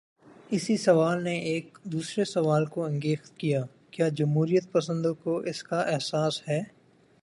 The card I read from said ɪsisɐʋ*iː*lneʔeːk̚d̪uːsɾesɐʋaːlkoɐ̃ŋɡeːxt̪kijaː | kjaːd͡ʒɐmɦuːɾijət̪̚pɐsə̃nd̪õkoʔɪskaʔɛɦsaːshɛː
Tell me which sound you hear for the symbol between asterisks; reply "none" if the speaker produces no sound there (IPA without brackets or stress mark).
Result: aː